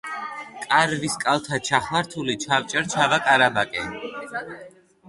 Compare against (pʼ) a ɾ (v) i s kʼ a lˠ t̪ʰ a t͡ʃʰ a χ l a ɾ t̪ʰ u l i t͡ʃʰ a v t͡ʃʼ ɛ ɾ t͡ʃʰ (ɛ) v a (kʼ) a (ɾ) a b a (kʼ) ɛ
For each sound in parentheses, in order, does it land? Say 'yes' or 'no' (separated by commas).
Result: no, yes, no, yes, yes, yes